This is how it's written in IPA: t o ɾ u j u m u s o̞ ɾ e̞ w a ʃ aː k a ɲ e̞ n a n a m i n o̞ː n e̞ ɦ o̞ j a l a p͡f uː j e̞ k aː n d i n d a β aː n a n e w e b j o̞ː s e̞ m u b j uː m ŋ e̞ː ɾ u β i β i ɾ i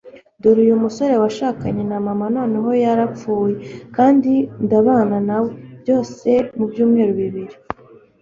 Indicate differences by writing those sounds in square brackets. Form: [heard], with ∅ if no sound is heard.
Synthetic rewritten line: [d] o ɾ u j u m u s o̞ ɾ e̞ w a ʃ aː k a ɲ e̞ n a [m] a m [a] n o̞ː n e̞ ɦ o̞ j a [ɾ] a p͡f uː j e̞ k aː n d i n d a β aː n a n [a] w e b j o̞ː s e̞ m u b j uː m ŋ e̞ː ɾ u β i β i ɾ i